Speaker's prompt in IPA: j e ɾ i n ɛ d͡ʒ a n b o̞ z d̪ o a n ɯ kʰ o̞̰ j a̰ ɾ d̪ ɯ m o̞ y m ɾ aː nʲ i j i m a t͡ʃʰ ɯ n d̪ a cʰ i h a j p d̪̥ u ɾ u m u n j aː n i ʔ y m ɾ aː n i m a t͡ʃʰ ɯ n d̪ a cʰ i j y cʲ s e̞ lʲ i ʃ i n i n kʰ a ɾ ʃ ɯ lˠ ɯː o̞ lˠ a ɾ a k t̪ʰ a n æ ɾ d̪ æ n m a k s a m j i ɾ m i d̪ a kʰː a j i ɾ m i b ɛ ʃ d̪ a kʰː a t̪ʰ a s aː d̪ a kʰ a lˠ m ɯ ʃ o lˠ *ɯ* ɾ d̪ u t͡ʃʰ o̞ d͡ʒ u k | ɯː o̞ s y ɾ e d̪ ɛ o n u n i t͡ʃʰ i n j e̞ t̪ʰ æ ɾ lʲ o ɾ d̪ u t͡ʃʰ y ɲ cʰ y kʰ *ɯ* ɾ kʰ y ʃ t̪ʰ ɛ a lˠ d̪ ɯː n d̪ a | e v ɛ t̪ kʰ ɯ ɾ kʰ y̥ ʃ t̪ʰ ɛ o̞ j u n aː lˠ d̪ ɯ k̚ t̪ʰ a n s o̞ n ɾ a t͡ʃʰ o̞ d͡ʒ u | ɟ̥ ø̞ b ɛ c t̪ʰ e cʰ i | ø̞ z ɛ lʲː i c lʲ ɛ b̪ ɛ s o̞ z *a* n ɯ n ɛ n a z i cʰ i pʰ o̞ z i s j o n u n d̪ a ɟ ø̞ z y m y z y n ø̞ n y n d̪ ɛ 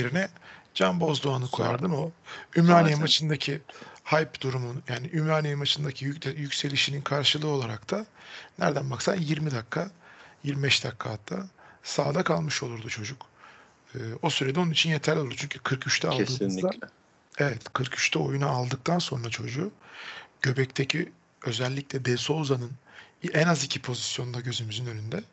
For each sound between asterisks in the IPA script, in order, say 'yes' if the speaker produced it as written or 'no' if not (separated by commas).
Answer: no, yes, yes